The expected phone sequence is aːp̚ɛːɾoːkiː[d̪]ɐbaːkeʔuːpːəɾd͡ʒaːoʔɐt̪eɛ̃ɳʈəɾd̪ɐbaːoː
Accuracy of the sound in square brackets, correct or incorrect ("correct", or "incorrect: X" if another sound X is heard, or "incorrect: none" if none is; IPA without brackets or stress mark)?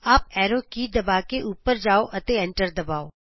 correct